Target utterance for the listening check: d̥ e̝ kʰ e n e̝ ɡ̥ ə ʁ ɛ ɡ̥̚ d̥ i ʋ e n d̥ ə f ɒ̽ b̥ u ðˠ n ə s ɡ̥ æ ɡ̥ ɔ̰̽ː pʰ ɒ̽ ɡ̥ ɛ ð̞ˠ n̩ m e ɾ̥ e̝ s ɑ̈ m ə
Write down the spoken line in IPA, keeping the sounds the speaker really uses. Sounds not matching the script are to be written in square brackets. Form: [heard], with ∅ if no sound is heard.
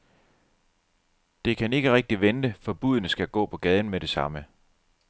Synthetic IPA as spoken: d̥ e̝ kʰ [æ] n e̝ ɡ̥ ə ʁ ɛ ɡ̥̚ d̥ i ʋ e n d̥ ə f ɒ̽ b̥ u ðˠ n ə s ɡ̥ æ ɡ̥ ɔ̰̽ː pʰ ɒ̽ ɡ̥ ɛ ð̞ˠ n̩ m e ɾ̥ e̝ s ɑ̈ m ə